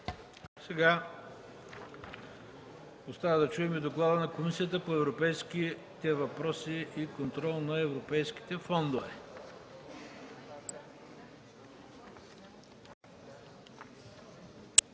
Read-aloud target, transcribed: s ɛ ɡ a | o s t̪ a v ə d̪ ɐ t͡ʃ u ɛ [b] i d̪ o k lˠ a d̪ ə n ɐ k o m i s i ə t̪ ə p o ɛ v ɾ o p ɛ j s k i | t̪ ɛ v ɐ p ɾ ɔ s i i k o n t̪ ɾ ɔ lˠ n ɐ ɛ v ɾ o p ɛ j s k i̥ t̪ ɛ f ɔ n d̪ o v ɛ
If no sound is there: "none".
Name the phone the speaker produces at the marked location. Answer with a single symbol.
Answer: m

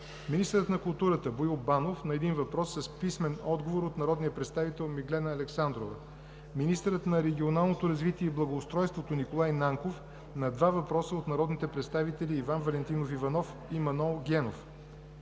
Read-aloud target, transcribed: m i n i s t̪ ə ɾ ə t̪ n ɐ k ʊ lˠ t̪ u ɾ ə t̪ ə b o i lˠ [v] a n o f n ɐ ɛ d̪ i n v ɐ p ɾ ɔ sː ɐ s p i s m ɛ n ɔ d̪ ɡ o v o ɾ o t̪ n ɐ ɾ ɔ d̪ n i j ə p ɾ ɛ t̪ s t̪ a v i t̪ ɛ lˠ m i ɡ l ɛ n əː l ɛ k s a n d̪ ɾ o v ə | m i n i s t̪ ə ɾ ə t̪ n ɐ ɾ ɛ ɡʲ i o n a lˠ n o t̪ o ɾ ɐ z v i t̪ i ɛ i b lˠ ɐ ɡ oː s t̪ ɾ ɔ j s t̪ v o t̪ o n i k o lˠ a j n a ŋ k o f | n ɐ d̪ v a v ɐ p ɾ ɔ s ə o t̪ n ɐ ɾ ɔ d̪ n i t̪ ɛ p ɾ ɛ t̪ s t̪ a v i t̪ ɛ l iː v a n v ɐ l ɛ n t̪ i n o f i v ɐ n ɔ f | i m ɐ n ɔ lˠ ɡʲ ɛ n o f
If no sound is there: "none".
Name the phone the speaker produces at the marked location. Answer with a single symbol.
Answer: b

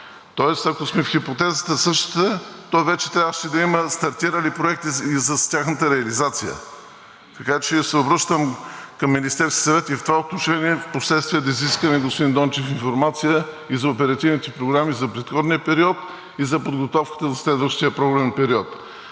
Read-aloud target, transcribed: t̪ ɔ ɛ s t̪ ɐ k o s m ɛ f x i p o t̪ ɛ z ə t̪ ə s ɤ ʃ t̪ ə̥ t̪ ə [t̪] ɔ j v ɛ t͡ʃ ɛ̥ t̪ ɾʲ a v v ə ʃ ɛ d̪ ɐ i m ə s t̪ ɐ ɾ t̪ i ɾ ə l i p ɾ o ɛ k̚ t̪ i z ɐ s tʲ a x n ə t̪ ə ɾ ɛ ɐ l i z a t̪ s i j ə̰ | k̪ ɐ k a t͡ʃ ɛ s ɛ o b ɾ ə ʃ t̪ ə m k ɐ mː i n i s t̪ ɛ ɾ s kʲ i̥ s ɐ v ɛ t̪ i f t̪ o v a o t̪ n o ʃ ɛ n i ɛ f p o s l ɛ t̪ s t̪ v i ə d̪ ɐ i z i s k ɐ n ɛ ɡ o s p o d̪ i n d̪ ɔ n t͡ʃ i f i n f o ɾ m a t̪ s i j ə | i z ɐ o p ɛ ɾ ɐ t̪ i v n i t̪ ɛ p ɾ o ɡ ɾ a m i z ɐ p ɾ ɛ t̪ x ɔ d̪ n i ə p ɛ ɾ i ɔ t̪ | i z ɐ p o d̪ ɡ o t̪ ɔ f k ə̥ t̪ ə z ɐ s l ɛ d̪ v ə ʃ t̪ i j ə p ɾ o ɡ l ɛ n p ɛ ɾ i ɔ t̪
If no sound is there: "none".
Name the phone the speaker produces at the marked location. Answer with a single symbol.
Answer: t̪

